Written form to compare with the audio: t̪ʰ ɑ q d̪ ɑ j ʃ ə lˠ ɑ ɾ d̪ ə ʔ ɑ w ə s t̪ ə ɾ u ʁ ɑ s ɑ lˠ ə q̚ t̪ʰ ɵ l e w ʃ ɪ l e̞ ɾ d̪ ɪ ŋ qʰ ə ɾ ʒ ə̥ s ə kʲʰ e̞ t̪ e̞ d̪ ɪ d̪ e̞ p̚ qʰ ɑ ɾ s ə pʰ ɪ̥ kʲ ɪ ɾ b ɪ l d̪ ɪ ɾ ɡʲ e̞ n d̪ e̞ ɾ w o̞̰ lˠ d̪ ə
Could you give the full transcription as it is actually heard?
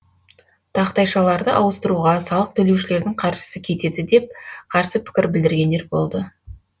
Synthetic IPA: t̪ʰ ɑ q t̪ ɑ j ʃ ɑ lˠ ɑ ɾ d̪ ə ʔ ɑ w ə s t̪ ə ɾ u ʁ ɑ s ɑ lˠ ə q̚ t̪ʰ ɵ l e w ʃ ɪ l e̞ ɾ d̪ ɪ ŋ qʰ ɑ ɾ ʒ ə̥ s ə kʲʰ e̞ t̪ e̞ d̪ ɪ d̪ e̞ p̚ qʰ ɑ ɾ s ə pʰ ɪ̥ kʲ ɪ ɾ b ɪ l d̪ ɪ ɾ ɡʲ e̞ n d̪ e̞ ɾ b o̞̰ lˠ d̪ ə